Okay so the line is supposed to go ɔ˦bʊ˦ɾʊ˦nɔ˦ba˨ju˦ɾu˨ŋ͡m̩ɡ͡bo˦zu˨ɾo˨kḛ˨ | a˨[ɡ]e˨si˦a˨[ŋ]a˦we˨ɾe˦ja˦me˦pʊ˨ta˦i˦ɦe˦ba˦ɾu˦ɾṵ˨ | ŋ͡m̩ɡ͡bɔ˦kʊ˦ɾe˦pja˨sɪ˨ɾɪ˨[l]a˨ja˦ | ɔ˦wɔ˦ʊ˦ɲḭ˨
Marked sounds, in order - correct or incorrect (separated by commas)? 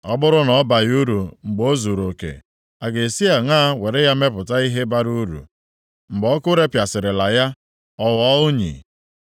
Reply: correct, correct, correct